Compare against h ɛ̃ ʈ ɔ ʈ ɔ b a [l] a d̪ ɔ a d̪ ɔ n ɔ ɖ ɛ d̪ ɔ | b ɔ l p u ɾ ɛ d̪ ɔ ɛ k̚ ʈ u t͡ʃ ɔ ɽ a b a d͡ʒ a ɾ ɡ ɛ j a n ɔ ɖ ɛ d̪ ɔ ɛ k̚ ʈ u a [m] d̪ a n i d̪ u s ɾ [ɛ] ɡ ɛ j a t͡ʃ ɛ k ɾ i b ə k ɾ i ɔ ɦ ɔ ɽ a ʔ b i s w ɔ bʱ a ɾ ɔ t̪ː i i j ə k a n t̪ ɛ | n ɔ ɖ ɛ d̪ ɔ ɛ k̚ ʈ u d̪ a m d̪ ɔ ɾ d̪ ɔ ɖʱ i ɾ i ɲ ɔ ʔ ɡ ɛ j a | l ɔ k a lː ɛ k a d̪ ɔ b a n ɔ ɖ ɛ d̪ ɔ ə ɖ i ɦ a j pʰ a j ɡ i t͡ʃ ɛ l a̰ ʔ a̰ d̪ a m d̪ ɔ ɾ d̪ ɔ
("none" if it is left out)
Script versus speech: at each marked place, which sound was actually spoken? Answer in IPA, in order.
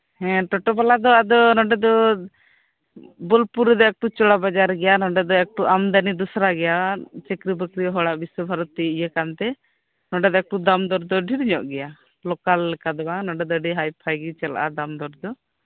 l, m, a

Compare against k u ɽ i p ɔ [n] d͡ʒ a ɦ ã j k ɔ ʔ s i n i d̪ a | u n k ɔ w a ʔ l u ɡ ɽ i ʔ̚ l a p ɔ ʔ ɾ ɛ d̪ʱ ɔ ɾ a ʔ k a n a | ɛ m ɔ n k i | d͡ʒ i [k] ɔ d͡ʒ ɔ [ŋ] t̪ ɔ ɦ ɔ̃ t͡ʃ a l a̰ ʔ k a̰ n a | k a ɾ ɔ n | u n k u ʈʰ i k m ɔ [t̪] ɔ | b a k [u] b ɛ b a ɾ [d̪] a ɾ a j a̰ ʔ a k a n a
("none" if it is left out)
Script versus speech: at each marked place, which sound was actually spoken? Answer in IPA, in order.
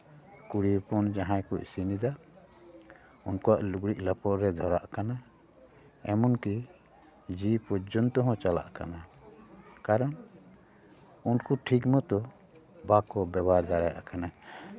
n, p, n, t̪, ɔ, d̪

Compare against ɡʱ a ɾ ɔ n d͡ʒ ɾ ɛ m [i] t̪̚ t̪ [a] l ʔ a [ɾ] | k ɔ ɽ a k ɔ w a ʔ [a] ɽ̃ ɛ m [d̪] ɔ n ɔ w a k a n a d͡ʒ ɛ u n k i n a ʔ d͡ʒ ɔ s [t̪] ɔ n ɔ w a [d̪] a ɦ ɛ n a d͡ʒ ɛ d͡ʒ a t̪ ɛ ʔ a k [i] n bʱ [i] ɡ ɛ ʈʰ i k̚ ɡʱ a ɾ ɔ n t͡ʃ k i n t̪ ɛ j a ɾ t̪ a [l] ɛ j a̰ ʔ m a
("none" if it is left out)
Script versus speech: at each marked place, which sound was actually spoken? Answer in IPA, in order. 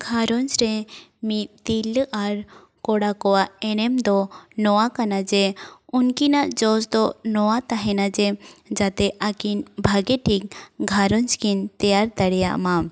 i, i, ɾ, ɛ, d̪, d̪, t̪, i, a, ɽ

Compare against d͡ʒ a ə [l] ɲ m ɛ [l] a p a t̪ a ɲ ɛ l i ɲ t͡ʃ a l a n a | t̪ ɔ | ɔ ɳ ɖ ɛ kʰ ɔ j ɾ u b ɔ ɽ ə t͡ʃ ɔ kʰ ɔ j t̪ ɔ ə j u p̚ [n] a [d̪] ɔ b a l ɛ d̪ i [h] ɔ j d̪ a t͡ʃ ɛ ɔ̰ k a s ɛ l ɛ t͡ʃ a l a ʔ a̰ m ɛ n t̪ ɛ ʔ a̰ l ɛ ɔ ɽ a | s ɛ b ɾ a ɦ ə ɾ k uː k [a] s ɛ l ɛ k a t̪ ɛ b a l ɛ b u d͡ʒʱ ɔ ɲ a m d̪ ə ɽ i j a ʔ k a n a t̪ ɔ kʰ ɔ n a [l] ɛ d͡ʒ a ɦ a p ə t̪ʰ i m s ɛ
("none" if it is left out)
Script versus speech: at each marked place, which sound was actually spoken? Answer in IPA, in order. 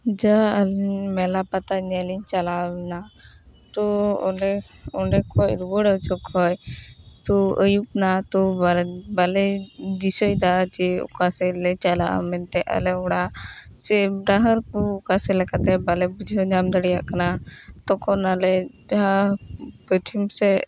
l, l, n, t̪, s, a, l

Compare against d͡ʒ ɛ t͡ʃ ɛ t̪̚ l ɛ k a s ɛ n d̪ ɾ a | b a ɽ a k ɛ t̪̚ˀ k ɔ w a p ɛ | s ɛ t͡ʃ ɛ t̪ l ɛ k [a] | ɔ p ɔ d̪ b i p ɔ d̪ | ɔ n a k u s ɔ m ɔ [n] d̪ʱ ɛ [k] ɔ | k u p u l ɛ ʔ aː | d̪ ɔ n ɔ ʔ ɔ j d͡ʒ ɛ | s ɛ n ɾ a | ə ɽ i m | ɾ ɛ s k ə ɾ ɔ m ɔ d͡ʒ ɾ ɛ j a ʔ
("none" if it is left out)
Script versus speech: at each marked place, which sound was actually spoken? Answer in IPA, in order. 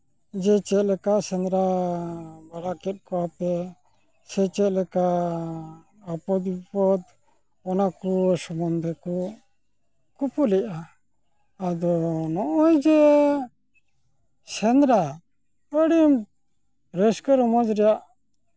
a, n, k

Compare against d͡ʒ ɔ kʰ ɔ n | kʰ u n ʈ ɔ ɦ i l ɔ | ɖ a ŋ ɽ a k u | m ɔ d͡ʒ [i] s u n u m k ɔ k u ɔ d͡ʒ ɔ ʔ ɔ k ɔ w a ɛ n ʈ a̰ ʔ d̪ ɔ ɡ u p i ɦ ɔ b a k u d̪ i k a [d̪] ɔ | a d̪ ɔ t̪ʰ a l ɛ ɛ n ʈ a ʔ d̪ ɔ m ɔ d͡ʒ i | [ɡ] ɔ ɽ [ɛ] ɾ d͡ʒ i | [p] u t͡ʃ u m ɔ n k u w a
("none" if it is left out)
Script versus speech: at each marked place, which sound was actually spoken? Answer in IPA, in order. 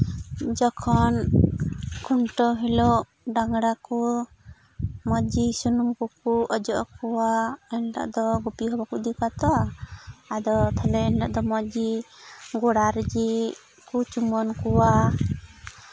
i, t̪, ɡ, a, k

